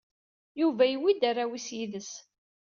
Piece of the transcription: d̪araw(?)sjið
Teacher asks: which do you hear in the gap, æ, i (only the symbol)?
i